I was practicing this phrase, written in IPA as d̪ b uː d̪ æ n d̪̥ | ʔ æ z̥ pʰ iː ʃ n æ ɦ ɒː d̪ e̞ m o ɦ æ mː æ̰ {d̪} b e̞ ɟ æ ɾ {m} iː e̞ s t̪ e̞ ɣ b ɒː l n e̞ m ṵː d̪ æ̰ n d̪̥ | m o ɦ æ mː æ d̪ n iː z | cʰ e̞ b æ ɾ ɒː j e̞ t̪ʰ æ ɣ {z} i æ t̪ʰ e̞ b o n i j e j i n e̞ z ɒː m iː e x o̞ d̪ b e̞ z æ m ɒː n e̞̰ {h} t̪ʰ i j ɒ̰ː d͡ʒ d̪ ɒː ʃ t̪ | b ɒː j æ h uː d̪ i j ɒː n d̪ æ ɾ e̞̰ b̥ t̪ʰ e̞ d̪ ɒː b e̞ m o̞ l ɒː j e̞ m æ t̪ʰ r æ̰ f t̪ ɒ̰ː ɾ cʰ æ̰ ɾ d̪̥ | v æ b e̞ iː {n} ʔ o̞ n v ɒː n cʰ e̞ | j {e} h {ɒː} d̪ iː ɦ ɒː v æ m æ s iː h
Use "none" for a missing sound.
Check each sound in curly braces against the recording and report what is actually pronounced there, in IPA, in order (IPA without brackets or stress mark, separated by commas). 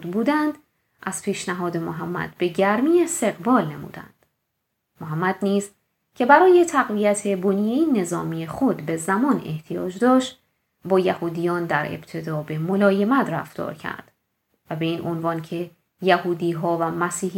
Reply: d̪, m, v, h, n, æ, uː